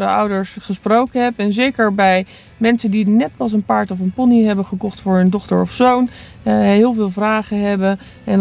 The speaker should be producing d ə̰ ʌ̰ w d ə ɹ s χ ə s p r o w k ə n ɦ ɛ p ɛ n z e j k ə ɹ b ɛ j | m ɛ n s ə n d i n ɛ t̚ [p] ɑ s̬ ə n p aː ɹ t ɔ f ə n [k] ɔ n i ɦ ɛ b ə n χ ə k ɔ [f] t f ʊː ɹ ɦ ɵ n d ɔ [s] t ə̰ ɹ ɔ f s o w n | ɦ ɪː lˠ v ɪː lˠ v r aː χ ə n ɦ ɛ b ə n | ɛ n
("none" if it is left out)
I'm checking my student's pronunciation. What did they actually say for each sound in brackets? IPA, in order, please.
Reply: p, p, χ, χ

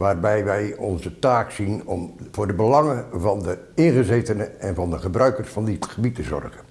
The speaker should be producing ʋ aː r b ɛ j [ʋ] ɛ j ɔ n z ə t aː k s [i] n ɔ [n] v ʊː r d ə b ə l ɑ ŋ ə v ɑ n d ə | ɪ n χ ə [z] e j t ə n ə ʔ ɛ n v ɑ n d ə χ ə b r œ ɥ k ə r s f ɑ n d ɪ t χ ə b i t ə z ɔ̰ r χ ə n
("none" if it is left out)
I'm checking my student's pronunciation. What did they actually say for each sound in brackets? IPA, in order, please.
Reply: ʋ, i, m, z

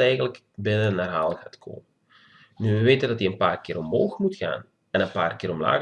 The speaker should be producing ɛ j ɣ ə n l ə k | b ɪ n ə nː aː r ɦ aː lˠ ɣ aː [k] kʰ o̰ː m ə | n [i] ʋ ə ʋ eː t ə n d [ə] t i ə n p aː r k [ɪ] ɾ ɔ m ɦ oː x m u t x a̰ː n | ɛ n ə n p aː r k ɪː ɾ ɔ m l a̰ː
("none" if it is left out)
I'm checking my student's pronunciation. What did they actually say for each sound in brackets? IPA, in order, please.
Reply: t, y, ɑ, ɪː

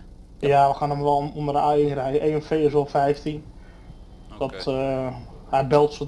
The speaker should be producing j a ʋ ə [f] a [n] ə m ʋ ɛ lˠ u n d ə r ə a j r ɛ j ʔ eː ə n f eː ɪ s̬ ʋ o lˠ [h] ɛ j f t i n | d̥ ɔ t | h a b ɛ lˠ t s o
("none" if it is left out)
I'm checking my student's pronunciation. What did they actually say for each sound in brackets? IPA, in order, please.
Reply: x, n, f

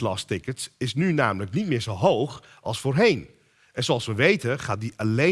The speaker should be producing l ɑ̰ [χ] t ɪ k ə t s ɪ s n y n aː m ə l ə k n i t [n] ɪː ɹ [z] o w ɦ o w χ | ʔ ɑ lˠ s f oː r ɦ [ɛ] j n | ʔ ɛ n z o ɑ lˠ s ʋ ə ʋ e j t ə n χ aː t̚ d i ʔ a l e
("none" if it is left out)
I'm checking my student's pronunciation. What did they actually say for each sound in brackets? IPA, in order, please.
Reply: s, m, z, e

